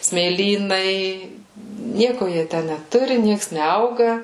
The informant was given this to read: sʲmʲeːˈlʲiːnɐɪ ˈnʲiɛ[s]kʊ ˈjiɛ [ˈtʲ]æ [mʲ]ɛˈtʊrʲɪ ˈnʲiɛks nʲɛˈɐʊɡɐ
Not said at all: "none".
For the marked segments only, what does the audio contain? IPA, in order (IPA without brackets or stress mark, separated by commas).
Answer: none, tʲ, nʲ